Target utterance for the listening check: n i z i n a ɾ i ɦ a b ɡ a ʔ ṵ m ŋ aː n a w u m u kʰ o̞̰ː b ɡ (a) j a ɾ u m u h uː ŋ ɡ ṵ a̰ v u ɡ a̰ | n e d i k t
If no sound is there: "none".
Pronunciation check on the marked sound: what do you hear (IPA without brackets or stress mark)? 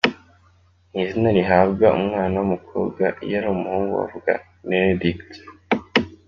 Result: a